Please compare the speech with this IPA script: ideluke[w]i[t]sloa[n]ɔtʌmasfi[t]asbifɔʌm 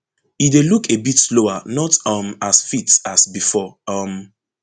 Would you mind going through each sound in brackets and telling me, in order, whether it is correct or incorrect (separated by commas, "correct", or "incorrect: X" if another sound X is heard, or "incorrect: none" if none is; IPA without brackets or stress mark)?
incorrect: b, correct, correct, correct